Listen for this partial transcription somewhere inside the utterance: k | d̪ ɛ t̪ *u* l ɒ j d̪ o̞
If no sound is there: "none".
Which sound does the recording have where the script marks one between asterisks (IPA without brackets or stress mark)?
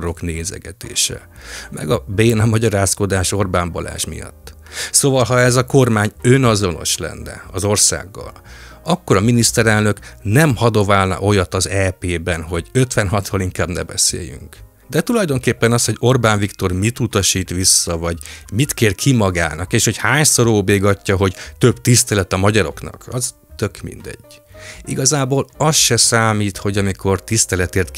u